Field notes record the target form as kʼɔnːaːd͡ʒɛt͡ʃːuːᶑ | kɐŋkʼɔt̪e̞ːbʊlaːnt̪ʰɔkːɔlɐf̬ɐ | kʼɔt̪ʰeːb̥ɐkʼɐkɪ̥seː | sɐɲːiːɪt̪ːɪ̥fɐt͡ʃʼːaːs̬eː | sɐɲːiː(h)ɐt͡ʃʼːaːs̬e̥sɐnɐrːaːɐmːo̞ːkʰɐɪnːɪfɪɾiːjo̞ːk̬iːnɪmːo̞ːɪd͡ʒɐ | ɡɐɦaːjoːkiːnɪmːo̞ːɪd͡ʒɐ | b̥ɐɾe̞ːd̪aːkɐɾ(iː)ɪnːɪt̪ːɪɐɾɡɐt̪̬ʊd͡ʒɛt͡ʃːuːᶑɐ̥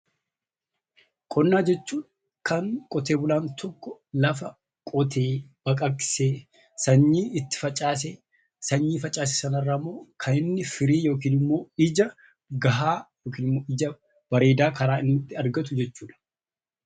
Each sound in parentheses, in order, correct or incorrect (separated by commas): incorrect, incorrect